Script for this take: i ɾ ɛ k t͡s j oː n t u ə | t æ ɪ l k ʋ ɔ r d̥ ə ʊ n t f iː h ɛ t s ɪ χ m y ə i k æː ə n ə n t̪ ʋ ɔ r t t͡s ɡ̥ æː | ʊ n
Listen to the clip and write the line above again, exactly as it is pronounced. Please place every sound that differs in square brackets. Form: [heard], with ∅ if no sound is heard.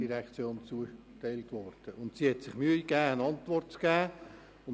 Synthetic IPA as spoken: i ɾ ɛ k t͡s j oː n [t͡s] u ə | t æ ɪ l [t] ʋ ɔ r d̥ ə ʊ n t [s] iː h ɛ t s ɪ χ m y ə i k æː ə n [ɑ] n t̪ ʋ ɔ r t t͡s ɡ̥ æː | ʊ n